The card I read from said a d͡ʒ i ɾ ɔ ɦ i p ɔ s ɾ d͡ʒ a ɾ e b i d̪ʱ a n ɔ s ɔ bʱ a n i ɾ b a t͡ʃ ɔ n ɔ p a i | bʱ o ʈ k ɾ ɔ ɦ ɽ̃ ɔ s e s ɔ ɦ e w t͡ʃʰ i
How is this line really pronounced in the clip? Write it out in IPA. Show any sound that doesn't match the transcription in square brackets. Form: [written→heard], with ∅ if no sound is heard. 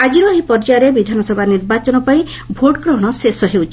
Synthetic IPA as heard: a d͡ʒ i ɾ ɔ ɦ i p ɔ [s→∅] ɾ d͡ʒ a ɾ e b i d̪ʱ a n ɔ s ɔ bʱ a n i ɾ b a t͡ʃ ɔ n ɔ p a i | bʱ o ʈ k ɾ ɔ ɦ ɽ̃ ɔ s e s ɔ ɦ e w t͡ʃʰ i